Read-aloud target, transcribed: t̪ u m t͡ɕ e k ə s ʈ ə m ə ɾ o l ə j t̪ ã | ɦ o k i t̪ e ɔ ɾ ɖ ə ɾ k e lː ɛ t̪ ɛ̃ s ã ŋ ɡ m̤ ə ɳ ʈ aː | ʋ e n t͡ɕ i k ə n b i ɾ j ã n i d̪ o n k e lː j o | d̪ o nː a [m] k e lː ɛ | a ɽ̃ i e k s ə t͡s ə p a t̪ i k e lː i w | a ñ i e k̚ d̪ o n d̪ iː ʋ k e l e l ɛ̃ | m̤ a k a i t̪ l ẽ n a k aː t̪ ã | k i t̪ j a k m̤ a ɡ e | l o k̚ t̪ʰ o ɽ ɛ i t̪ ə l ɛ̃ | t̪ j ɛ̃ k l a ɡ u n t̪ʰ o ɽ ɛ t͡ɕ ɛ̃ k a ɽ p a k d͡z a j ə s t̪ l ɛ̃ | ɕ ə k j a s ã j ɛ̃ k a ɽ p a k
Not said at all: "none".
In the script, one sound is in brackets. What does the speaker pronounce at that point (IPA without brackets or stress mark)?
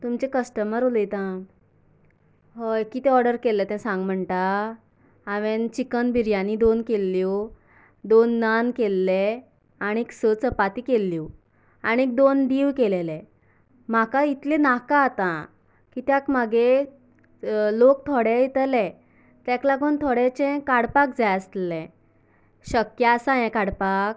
n